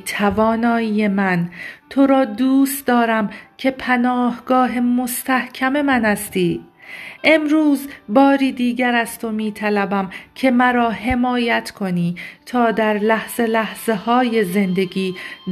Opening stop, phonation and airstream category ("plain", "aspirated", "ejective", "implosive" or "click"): aspirated